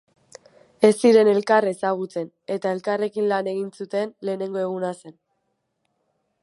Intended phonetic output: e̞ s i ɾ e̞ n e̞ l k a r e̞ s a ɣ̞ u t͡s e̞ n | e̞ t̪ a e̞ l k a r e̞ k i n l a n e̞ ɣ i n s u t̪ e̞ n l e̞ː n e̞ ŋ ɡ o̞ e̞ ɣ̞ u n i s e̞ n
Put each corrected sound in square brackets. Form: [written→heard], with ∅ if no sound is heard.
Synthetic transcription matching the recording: e̞ s i ɾ e̞ n e̞ l k a r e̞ s a ɣ̞ u t͡s e̞ n | e̞ t̪ a e̞ l k a r e̞ k i n l a n e̞ ɣ i n s u t̪ e̞ n l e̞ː n e̞ ŋ ɡ o̞ e̞ ɣ̞ u n [i→a] s e̞ n

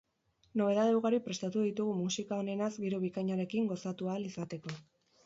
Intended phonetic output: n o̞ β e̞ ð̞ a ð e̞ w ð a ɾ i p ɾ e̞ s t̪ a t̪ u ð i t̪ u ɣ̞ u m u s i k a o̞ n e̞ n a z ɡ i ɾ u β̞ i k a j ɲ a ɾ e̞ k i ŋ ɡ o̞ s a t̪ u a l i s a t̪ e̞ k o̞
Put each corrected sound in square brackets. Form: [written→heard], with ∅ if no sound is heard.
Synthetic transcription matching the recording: n o̞ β e̞ ð̞ a ð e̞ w [ð→ɣ] a ɾ i p ɾ e̞ s t̪ a t̪ u ð i t̪ u ɣ̞ u m u s i k a o̞ n e̞ n a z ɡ i ɾ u β̞ i k a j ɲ a ɾ e̞ k i ŋ ɡ o̞ s a t̪ u a l i s a t̪ e̞ k o̞

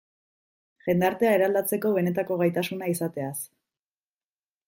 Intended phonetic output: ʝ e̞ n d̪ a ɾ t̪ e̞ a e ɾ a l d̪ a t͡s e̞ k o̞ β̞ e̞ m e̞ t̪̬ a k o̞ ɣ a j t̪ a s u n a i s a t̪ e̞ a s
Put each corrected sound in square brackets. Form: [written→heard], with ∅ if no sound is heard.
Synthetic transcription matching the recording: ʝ e̞ n d̪ a ɾ t̪ e̞ a e ɾ a l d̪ a t͡s e̞ k o̞ β̞ e̞ [m→n] e̞ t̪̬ a k o̞ ɣ a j t̪ a s u n a i s a t̪ e̞ a s

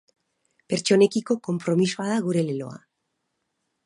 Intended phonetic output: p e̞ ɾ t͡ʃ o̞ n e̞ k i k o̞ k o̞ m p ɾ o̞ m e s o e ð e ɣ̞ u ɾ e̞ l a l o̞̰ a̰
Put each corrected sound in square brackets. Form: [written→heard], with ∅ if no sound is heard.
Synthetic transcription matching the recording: p e̞ ɾ t͡ʃ o̞ n e̞ k i k o̞ k o̞ m p ɾ o̞ m [e→i] s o [e→a] ð [e→a] ɣ̞ u ɾ e̞ l [a→e] l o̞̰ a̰

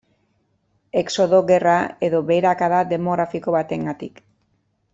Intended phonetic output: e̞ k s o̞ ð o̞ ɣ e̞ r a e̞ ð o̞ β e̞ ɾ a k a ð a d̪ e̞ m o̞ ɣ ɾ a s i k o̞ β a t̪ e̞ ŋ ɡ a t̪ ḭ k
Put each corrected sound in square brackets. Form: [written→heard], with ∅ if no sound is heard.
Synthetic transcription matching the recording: e̞ k s o̞ ð o̞ ɣ e̞ r a e̞ ð o̞ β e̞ ɾ a k a ð a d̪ e̞ m o̞ ɣ ɾ a [s→f] i k o̞ β a t̪ e̞ ŋ ɡ a t̪ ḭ k

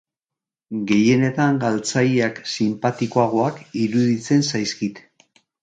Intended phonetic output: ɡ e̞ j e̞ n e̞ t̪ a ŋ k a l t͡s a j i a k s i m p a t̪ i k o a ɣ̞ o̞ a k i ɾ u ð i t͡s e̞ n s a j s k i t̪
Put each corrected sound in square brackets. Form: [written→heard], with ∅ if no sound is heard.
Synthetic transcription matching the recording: ɡ e̞ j e̞ n e̞ t̪ a ŋ [k→ɡ] a l t͡s a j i a k s i m p a t̪ i k o a ɣ̞ o̞ a k i ɾ u ð i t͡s e̞ n s a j s k i t̪

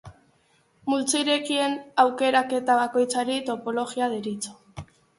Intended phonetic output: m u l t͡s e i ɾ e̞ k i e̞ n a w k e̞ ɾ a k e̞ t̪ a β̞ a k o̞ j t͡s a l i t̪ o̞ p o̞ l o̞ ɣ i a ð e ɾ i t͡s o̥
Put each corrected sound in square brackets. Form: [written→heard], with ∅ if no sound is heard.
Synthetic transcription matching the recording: m u l t͡s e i ɾ e̞ k i e̞ n a w k e̞ ɾ a k e̞ t̪ a β̞ a k o̞ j t͡s a [l→ɾ] i t̪ o̞ p o̞ l o̞ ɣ i a ð e ɾ i t͡s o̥

